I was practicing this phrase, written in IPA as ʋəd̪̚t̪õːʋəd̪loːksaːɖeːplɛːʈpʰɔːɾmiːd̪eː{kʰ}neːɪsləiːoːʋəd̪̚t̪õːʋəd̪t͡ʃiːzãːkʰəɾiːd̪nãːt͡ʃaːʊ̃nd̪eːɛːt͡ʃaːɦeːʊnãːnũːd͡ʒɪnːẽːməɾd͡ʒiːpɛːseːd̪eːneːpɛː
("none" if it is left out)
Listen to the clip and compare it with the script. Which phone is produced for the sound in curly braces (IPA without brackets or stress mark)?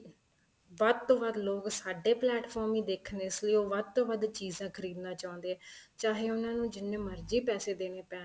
kʰ